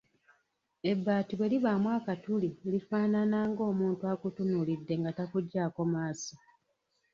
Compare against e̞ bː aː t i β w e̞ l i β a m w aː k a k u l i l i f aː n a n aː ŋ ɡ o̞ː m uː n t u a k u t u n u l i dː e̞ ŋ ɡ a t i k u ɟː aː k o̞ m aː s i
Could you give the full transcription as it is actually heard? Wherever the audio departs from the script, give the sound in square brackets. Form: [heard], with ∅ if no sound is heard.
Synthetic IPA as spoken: e̞ bː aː t i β w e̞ l i β a m w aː k a [t] u l i l i f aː n a n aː ŋ ɡ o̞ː m uː n t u a k u t u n u l i dː e̞ ŋ ɡ a t [a] k u ɟː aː k o̞ m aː s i